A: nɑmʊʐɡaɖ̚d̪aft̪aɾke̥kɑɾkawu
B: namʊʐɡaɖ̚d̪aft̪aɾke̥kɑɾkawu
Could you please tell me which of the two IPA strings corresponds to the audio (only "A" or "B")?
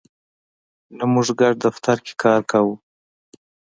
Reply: B